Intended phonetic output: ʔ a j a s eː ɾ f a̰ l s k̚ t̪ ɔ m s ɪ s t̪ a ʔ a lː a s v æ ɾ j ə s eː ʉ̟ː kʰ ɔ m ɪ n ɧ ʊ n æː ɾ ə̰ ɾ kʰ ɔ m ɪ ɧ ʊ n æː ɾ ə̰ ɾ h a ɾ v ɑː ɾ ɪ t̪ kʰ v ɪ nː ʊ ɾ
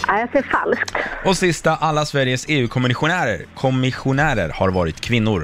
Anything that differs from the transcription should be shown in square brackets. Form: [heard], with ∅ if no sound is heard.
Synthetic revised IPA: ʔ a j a s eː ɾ f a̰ l s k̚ t̪ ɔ [∅] s ɪ s t̪ a ʔ a lː a s v æ ɾ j ə s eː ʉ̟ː kʰ ɔ m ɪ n ɧ ʊ n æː ɾ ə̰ ɾ kʰ ɔ m ɪ ɧ ʊ n æː ɾ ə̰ ɾ h a ɾ v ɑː ɾ ɪ t̪ kʰ v ɪ nː ʊ ɾ